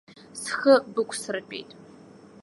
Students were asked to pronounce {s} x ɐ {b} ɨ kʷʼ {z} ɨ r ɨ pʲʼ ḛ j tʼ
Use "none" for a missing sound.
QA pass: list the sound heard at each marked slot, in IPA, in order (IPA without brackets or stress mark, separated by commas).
s, b, s